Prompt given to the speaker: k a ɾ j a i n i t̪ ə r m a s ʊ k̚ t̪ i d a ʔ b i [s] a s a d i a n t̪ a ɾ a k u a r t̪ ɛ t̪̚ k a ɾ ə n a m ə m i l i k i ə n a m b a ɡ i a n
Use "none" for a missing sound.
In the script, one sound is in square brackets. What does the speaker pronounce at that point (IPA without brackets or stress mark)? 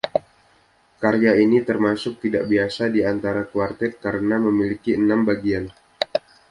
none